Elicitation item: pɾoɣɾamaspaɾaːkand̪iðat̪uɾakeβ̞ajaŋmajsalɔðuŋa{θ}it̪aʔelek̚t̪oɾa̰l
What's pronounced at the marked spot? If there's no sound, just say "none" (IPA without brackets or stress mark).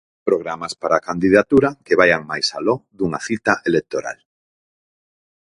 θ